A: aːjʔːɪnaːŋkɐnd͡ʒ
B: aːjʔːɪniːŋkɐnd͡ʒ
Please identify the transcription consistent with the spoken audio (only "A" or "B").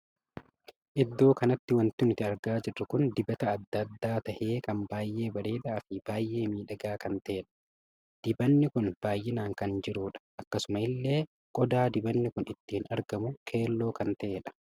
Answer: A